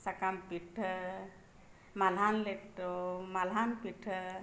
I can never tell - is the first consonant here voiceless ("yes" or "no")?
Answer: yes